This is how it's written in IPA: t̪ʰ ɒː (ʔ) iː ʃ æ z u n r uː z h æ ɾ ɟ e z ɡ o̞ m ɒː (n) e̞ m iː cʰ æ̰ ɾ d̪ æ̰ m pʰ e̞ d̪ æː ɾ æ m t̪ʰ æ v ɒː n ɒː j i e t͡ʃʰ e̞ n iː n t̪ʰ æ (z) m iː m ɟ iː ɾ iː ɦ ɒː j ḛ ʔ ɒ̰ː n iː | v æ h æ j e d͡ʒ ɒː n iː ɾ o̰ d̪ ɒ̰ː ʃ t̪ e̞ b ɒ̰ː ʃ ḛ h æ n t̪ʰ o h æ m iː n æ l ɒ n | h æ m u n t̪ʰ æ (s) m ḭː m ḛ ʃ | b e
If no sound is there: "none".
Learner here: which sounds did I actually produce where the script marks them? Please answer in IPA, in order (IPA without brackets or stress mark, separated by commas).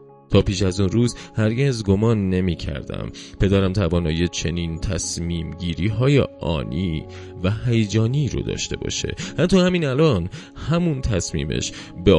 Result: p, nː, s, s